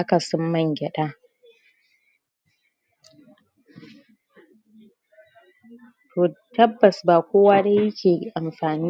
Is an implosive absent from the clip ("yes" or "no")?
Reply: no